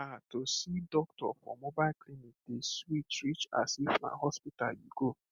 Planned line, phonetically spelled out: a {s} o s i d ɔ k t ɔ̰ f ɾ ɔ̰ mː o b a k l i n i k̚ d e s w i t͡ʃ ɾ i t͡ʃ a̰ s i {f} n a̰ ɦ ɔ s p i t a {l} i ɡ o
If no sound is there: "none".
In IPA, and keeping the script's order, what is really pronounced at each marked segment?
t, f, l

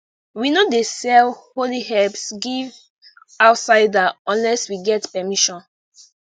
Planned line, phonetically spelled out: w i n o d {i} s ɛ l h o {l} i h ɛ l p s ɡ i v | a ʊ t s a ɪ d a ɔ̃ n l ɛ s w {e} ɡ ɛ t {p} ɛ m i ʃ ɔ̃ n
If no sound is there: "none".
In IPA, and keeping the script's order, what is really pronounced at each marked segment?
e, l, i, p

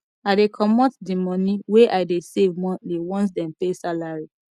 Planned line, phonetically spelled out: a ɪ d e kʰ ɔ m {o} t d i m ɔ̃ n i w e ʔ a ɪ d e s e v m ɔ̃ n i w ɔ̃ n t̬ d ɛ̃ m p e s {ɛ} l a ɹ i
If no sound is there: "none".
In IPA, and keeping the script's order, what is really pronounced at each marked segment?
ɔ, a

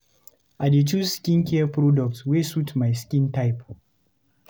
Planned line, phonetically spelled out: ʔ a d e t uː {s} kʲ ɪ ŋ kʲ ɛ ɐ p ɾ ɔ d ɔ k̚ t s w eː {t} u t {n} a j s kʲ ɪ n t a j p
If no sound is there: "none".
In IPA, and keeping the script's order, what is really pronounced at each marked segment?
s, s, m

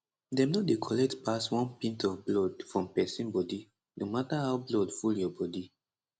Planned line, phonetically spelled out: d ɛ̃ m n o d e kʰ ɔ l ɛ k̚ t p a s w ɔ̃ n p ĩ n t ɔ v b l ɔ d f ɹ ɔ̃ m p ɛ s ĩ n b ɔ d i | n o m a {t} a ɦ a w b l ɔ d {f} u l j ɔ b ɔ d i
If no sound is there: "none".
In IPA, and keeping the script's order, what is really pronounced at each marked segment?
t, f

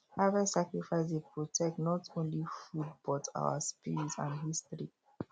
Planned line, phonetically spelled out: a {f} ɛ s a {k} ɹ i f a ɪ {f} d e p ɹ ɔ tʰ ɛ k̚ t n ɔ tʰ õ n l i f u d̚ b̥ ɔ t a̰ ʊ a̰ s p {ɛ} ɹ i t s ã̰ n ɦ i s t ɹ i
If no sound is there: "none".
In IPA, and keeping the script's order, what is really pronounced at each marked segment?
v, k, s, i

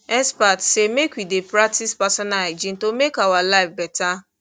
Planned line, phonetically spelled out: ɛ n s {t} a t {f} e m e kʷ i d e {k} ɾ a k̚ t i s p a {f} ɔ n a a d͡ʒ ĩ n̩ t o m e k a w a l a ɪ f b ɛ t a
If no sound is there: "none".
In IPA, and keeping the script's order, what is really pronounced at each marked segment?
p, s, p, s

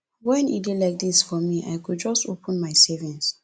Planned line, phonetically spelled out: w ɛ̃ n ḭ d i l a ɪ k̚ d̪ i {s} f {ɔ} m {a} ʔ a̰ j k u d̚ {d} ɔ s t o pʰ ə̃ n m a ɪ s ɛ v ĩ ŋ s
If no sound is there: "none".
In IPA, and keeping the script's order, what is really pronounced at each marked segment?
s, ɔ, i, d͡ʒ

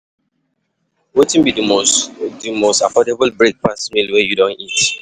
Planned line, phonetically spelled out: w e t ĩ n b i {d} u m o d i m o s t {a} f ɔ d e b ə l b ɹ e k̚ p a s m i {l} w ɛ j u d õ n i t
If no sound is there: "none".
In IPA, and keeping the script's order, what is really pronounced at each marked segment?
d, a, l

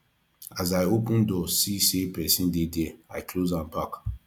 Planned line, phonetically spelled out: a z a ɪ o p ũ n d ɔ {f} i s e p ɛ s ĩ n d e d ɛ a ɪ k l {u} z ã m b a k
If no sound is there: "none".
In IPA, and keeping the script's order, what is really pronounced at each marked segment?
s, o

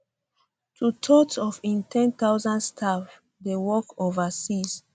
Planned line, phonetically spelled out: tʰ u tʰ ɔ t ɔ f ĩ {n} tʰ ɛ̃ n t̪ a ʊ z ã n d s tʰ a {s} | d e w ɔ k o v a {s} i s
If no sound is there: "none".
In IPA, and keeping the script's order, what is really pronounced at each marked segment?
n, f, s

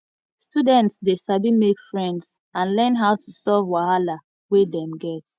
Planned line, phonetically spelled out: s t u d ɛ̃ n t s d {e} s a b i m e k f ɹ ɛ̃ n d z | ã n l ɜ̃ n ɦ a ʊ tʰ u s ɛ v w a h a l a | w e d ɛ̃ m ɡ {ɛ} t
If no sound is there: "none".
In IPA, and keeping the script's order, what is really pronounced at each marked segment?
e, ɛ

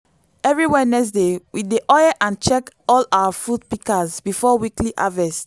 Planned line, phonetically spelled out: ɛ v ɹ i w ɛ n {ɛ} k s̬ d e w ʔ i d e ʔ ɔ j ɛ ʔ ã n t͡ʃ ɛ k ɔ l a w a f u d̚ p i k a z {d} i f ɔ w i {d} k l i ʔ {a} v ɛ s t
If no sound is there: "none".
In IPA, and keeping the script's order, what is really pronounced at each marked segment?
ɛ, b, none, a

